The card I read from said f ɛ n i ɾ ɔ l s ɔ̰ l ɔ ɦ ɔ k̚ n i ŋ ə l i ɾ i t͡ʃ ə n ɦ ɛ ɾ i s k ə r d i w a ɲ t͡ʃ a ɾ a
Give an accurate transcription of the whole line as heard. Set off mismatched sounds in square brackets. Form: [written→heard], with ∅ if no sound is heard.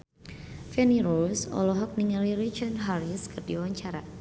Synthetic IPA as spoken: f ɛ n i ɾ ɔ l s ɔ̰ l ɔ ɦ ɔ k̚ n i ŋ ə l i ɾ i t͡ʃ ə n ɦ [ɛ→a] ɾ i s k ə r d i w a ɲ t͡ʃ a ɾ a

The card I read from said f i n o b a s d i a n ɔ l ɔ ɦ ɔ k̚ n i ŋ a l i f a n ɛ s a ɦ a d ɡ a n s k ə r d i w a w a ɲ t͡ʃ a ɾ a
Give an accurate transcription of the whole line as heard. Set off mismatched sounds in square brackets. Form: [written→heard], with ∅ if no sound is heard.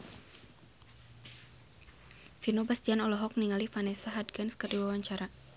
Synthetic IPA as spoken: f i n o b a s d i a n ɔ l ɔ ɦ ɔ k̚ n i ŋ a l i f a n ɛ s a ɦ a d ɡ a n s k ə r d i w a w a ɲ t͡ʃ a ɾ a

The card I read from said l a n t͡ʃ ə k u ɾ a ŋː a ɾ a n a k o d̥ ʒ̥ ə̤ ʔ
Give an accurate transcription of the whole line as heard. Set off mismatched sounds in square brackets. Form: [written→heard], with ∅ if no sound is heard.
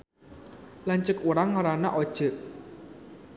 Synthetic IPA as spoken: l a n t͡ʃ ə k u ɾ a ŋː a ɾ a n a [k→ʔ] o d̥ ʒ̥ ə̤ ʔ

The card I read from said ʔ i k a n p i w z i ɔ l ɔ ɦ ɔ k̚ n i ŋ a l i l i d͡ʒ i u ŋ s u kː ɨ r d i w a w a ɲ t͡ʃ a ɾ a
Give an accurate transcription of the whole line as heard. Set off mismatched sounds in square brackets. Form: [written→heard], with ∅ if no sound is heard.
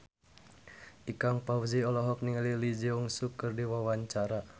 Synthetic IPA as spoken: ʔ i k a [n→ŋ] p [i→a] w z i ɔ l ɔ ɦ ɔ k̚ n i ŋ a l i l i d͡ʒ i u ŋ s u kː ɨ r d i w a w a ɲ t͡ʃ a ɾ a

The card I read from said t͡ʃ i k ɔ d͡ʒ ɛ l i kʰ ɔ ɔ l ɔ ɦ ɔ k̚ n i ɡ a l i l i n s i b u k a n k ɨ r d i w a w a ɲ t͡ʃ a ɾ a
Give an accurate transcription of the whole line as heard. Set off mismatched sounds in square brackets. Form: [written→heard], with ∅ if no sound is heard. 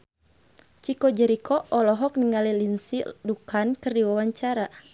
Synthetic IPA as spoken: t͡ʃ i k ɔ d͡ʒ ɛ [l→ɾ] i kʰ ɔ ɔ l ɔ ɦ ɔ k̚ n i [ɡ→ŋ] a l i l i n s i [b→d] u k a n k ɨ r d i w a w a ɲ t͡ʃ a ɾ a

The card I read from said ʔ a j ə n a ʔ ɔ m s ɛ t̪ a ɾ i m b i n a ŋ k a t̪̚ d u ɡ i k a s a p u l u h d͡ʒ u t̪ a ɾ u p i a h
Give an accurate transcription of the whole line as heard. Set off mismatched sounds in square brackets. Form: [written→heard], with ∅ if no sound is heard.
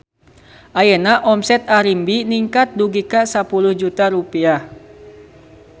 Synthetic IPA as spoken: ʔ a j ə n a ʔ ɔ m s ɛ t̪ a ɾ i m b i n [a→i] ŋ k a t̪̚ d u ɡ i k a s a p u l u h d͡ʒ u t̪ a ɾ u p i a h

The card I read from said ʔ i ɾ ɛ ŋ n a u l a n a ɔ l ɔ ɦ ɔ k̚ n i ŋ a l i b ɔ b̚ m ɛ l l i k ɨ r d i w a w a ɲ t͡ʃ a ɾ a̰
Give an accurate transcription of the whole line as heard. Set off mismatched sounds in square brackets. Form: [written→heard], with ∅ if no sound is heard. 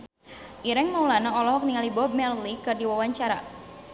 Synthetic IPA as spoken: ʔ i ɾ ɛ ŋ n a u l a n a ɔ l ɔ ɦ ɔ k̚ n i ŋ a l i b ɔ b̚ m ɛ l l i k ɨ r d i w a w a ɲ t͡ʃ a ɾ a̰

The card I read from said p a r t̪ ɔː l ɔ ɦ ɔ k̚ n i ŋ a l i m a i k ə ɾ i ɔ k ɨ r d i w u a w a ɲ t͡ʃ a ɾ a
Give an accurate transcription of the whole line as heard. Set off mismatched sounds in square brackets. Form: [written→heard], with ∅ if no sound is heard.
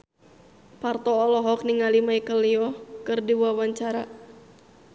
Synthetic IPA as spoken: p a r t̪ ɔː l ɔ ɦ ɔ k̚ n i ŋ a l i m a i k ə [ɾ→l] i ɔ k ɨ r d i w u a w a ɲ t͡ʃ a ɾ a

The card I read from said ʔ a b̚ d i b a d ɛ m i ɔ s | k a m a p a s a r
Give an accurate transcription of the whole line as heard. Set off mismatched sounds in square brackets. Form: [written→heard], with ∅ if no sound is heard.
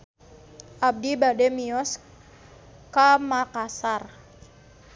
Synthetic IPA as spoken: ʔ a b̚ d i b a d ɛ m i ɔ s | k a m a [p→k] a s a r

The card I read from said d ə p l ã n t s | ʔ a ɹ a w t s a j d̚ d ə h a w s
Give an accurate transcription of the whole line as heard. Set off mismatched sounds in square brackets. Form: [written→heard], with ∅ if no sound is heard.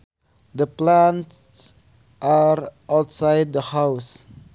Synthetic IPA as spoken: d ə p l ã n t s | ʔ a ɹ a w t s a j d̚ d ə h a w s

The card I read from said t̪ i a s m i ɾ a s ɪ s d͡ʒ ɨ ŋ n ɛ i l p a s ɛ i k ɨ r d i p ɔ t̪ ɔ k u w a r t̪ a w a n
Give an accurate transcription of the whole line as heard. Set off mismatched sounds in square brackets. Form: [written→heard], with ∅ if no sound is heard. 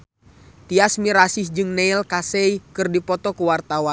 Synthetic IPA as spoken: t̪ i a s m i ɾ a s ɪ s d͡ʒ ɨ ŋ n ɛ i l [p→k] a s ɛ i k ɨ r d i p ɔ t̪ ɔ k u w a r t̪ a w a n

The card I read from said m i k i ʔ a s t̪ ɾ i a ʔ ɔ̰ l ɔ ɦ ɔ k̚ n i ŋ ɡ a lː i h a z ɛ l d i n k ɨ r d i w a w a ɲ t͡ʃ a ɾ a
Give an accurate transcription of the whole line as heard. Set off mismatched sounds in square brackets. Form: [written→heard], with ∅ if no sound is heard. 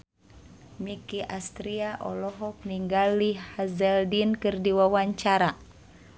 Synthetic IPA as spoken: m i k i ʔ a s t̪ ɾ i a ʔ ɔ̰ l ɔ ɦ ɔ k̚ n i ŋ ɡ a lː i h a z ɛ l d i n k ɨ r d i w a w a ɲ t͡ʃ a ɾ a

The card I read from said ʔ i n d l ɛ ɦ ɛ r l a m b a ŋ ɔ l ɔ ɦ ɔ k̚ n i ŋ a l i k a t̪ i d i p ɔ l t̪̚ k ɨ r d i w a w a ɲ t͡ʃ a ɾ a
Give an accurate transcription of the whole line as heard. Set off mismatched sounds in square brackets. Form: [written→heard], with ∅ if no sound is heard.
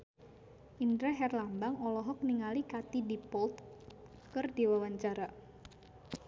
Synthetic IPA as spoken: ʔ i n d [l→ɾ] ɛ ɦ ɛ r l a m b a ŋ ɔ l ɔ ɦ ɔ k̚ n i ŋ a l i k a t̪ i d i p ɔ l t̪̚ k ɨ r d i w a w a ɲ t͡ʃ a ɾ a

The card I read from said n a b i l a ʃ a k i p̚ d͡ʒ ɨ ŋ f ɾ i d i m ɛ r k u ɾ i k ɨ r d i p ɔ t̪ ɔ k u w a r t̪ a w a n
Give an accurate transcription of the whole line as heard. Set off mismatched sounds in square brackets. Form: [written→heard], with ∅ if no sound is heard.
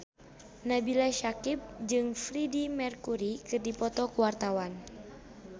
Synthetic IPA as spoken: n a b i l a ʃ a k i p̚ d͡ʒ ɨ ŋ f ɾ i d i m ɛ r k u ɾ i k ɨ r d i p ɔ t̪ ɔ k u w a r t̪ a w a n

